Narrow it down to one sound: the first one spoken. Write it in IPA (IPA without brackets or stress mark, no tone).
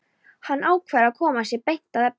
h